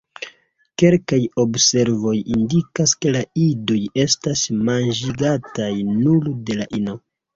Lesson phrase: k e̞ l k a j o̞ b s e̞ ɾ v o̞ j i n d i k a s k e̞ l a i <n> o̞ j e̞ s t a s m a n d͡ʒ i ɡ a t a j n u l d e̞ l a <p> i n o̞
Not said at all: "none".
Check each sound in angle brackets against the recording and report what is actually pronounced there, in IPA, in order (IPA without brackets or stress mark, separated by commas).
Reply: d, ʔ